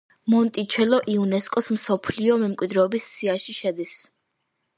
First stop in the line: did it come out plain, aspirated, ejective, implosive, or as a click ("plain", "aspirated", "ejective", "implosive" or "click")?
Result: ejective